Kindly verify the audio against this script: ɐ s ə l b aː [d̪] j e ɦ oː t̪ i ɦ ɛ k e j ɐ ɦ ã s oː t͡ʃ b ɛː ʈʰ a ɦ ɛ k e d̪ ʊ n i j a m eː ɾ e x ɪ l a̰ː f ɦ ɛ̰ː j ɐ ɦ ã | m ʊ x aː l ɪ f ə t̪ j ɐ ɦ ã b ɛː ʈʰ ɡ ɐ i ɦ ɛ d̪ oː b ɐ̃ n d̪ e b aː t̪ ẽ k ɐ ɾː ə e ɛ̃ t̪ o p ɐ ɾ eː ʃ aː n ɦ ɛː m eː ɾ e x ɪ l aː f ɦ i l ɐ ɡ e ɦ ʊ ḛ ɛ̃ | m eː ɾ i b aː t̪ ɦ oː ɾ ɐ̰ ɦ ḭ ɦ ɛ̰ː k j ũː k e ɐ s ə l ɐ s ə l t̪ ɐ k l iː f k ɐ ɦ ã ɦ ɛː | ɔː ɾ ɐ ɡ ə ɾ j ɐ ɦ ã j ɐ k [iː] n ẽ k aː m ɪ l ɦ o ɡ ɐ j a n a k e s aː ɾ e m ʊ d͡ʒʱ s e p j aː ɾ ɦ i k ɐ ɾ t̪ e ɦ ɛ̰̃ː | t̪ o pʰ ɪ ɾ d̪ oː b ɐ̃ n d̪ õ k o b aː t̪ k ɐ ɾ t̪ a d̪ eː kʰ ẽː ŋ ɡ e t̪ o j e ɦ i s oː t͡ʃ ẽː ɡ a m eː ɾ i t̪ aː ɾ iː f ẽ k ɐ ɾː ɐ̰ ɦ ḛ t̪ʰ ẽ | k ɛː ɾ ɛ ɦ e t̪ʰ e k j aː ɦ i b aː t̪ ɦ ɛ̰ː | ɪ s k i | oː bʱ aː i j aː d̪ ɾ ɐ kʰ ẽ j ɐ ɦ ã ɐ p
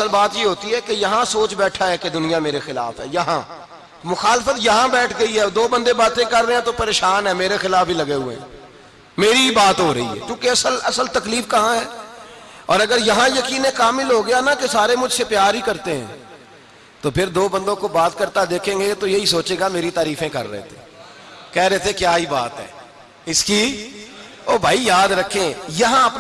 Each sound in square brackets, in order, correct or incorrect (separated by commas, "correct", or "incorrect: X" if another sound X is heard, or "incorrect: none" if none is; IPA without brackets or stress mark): incorrect: t̪, correct